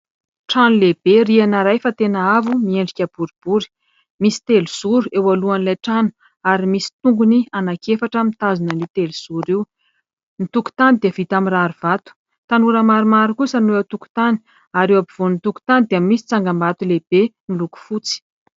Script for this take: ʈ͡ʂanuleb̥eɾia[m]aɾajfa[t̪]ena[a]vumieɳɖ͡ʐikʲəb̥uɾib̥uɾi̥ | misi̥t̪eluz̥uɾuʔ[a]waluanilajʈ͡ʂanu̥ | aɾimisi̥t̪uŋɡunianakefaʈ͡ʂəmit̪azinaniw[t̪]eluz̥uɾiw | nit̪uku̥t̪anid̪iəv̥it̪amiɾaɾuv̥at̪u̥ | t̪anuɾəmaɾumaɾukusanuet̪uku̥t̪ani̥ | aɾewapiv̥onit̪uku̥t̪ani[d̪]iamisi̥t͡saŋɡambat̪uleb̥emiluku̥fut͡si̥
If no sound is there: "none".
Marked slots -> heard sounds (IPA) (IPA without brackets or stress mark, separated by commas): n, t̪, a, e, t̪, d̪